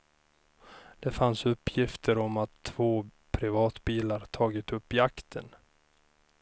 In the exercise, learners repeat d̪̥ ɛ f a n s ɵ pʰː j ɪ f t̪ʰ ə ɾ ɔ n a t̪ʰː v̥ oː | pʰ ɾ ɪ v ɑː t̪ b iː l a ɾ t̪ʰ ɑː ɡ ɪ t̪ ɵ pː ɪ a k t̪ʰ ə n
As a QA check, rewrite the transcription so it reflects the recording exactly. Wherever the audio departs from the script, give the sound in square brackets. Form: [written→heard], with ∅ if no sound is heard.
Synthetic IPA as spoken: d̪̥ ɛ f a n s ɵ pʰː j ɪ f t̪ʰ ə ɾ ɔ [n→m] a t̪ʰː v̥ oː | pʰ ɾ ɪ v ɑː t̪ b iː l a ɾ t̪ʰ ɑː ɡ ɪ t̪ ɵ pː ɪ a k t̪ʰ ə n

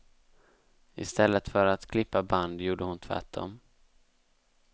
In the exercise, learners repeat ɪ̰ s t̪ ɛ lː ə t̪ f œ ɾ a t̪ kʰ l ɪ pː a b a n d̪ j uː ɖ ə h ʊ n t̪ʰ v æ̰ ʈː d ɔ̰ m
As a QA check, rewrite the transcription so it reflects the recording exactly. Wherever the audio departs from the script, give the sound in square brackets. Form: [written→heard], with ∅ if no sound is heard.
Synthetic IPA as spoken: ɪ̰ s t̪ ɛ lː ə t̪ f œ ɾ a t̪ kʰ l ɪ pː a b a n d̪ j uː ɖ ə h ʊ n t̪ʰ v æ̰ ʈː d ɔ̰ m

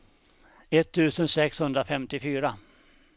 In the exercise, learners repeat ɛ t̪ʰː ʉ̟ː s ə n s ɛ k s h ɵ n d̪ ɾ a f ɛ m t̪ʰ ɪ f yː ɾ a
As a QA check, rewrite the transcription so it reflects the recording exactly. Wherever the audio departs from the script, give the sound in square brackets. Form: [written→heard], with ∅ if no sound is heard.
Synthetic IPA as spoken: ɛ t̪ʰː ʉ̟ː s ə n s ɛ k s h ɵ n d̪ ɾ a f ɛ m [t̪ʰ→t̪] ɪ f yː ɾ a

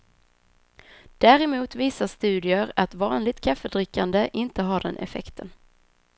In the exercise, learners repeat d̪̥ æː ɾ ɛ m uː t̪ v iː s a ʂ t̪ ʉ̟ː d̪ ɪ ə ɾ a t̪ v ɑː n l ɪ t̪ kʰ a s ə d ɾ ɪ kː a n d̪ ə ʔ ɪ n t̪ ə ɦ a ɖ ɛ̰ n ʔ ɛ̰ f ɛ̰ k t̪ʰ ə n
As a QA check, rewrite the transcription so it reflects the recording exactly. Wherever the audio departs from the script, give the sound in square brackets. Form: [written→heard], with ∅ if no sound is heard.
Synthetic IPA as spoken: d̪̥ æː ɾ ɛ m uː t̪ v iː s a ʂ t̪ ʉ̟ː d̪ ɪ ə ɾ a t̪ v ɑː n l ɪ t̪ kʰ a [s→f] ə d ɾ ɪ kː a n d̪ ə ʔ ɪ n t̪ ə ɦ a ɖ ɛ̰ n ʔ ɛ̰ f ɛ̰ k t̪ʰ ə n

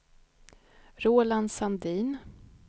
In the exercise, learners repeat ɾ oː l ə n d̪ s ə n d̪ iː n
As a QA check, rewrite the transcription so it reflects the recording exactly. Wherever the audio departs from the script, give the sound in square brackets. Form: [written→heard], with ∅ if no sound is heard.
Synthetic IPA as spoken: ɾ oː l [ə→a] n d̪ s [ə→a] n d̪ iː n

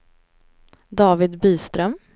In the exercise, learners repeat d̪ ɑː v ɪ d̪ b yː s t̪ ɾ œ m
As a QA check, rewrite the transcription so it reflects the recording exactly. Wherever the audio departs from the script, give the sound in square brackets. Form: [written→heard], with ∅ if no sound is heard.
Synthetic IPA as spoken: d̪ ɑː v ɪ d̪ b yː s t̪ ɾ œ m

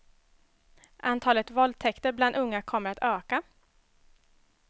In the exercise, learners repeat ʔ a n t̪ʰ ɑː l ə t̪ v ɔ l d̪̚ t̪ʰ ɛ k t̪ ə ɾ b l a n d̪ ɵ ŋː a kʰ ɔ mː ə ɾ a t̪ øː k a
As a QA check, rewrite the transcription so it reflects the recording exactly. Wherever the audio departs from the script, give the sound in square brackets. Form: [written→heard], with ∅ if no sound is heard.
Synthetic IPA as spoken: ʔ a n t̪ʰ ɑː l ə t̪ v ɔ l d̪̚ t̪ʰ ɛ k t̪ ə ɾ b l a n d̪ ɵ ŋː a kʰ ɔ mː ə ɾ a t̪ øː k a

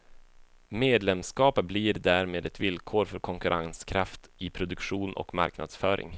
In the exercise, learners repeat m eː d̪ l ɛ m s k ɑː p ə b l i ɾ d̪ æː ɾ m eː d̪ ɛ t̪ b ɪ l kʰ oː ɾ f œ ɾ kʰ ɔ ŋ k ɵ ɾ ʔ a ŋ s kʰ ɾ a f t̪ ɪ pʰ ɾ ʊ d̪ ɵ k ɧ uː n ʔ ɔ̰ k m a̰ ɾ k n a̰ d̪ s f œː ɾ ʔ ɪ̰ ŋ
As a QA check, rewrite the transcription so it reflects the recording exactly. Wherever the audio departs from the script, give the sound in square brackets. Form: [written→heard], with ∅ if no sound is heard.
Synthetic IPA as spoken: m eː d̪ l ɛ m s k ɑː p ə b l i ɾ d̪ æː ɾ m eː d̪ ɛ t̪ [b→v] ɪ l kʰ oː ɾ f œ ɾ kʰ ɔ ŋ k ɵ ɾ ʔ a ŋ s kʰ ɾ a f t̪ ɪ pʰ ɾ ʊ d̪ ɵ k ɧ uː n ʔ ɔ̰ k m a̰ ɾ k n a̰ d̪ s f œː ɾ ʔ ɪ̰ ŋ

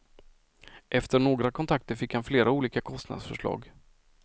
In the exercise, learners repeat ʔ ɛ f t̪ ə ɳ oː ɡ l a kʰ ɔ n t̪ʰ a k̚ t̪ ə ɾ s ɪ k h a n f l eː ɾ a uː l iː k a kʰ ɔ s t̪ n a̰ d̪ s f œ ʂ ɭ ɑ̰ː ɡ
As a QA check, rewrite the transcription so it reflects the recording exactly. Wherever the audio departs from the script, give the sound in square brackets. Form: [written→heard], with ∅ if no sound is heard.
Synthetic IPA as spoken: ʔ ɛ f t̪ ə ɳ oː ɡ [l→ɾ] a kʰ ɔ n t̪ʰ a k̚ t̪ ə ɾ [s→f] ɪ k h a n f l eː ɾ a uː l iː k a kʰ ɔ s t̪ n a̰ d̪ s f œ ʂ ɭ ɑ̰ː ɡ

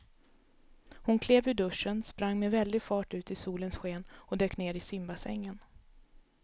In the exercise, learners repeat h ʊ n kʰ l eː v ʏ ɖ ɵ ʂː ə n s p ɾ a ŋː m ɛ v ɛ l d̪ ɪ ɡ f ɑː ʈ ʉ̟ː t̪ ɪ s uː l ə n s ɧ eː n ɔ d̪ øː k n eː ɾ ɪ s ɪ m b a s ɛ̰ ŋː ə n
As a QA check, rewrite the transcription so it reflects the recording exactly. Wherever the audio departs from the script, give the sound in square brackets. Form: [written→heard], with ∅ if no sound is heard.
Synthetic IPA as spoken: h ʊ n kʰ l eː v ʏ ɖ ɵ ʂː ə n s p ɾ a ŋː m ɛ v ɛ l d̪ ɪ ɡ f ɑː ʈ ʉ̟ː t̪ ɪ s uː l ə n s ɧ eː n ɔ d̪ øː k n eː ɾ ɪ s ɪ m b a s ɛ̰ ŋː ə n

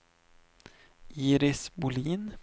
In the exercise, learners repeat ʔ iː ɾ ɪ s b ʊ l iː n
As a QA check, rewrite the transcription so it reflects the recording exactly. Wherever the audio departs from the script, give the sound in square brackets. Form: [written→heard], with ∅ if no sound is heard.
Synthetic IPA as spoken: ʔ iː ɾ ɪ s b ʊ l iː n

